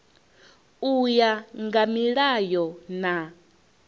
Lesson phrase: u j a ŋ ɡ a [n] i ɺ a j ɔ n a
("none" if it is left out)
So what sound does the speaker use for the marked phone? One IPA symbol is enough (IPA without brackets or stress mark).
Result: m